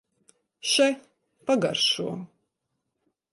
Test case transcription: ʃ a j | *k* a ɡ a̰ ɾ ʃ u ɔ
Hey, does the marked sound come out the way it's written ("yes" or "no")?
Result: no